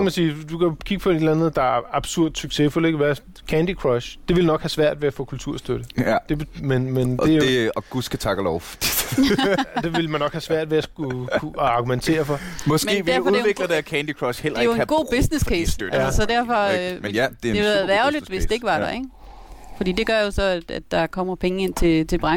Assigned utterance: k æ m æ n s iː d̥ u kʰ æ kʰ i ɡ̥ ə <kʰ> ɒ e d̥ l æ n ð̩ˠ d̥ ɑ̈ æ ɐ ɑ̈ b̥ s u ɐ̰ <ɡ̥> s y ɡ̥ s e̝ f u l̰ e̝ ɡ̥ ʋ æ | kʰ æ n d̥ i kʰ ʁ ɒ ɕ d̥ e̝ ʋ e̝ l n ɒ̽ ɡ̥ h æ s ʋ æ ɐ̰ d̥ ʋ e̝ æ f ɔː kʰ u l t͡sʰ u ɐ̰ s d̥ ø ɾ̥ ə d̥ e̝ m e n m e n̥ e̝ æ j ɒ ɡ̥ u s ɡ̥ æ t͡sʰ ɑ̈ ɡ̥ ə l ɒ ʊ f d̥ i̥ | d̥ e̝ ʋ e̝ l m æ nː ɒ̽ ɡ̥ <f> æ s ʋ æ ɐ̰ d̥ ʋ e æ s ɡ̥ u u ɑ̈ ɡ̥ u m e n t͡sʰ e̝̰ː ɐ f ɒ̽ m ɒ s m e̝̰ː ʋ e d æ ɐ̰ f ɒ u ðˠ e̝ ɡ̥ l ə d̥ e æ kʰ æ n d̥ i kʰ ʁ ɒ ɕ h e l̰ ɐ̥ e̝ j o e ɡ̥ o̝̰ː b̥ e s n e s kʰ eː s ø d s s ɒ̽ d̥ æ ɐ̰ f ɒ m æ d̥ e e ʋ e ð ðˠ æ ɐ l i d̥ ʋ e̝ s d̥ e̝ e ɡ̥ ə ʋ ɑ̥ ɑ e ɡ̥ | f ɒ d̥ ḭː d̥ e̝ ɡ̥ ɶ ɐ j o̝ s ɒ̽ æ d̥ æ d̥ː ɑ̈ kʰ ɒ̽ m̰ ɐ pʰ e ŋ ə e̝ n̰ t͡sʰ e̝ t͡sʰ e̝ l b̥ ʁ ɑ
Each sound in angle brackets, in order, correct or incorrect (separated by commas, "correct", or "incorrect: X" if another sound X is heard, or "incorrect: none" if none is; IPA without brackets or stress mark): incorrect: pʰ, incorrect: d̥, incorrect: h